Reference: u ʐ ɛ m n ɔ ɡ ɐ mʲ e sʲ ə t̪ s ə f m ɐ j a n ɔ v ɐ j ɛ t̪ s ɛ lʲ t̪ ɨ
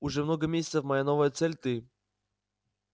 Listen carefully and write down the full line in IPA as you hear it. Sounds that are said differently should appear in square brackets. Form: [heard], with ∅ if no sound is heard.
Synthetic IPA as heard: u ʐ ɛ m n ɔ ɡ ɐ mʲ e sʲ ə t̪ s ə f m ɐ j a n ɔ v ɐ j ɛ t̪ s ɛ lʲ t̪ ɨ